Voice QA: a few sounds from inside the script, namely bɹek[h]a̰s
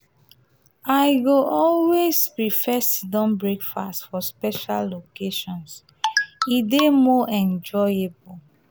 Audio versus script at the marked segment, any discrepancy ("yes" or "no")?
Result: yes